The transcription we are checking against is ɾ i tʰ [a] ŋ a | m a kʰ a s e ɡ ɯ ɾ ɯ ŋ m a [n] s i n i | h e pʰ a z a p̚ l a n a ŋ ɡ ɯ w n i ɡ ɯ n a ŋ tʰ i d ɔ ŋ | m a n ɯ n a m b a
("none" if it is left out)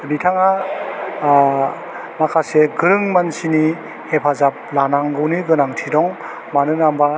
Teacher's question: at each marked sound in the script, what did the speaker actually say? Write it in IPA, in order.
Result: a, n

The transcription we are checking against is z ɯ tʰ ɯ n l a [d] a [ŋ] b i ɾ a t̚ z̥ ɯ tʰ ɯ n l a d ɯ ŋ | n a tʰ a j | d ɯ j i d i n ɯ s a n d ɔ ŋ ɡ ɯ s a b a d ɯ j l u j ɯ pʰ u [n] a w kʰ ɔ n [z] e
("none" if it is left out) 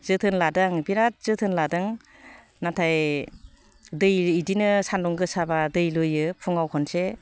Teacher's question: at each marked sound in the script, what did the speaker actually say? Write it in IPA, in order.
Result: d, ŋ, ŋ, s

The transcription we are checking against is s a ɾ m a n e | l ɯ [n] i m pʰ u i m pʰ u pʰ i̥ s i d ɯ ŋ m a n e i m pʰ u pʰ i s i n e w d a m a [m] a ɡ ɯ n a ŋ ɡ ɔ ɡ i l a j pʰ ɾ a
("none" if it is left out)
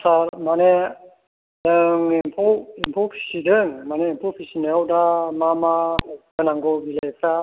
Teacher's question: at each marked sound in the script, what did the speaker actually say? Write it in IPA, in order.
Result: ŋ, m

